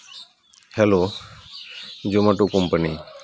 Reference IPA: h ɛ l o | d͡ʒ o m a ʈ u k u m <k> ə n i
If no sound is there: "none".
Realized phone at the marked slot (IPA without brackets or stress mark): p